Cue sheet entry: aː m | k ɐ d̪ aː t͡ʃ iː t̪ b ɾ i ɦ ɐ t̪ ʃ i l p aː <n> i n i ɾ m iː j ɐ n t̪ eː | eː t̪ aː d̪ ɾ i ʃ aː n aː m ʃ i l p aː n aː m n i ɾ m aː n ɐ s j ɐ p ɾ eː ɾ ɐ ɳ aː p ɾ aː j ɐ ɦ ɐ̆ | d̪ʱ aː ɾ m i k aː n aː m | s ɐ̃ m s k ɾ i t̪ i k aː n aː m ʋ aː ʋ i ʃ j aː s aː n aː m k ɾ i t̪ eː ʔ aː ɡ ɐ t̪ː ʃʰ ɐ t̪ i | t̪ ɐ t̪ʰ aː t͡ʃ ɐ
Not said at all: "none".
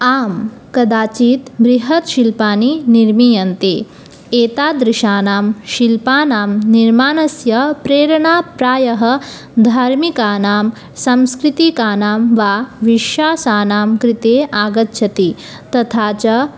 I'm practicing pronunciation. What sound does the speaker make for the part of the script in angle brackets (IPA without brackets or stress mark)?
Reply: n